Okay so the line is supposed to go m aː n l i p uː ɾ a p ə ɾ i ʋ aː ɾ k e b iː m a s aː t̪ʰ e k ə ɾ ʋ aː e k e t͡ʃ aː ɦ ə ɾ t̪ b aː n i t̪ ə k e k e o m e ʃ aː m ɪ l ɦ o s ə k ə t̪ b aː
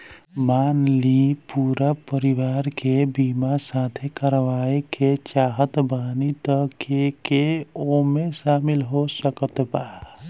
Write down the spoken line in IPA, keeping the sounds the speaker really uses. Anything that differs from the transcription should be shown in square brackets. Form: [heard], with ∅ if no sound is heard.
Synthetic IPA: m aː n l i p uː ɾ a p ə ɾ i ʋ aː ɾ k e b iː m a s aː t̪ʰ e k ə ɾ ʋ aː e k e t͡ʃ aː ɦ ə [∅] t̪ b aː n i t̪ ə k e k e o m e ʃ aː m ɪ l ɦ o s ə k ə t̪ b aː